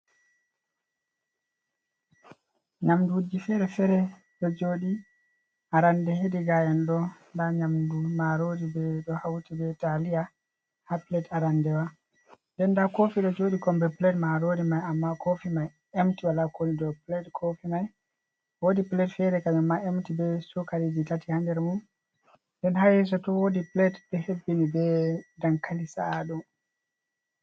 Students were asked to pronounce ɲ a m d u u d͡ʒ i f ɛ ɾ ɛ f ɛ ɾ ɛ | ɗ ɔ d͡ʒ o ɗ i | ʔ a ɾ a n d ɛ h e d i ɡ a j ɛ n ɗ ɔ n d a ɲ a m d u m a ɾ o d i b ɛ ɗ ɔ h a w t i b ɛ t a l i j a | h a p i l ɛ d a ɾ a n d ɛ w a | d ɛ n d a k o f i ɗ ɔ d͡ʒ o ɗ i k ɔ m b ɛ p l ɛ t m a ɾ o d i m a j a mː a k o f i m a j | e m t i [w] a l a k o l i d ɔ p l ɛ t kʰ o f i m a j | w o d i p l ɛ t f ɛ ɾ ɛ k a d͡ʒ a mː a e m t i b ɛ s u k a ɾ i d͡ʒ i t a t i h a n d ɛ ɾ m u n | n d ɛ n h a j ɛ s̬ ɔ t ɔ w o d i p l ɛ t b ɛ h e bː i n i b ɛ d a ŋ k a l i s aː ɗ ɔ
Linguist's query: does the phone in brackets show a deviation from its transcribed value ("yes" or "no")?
no